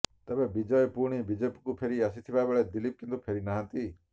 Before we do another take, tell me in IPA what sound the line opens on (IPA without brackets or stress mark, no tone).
t̪